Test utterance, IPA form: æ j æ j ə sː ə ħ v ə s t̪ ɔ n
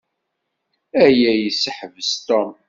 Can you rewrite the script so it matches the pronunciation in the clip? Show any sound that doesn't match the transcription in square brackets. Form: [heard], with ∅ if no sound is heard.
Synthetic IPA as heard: æ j æ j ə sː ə ħ v ə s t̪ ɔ [m]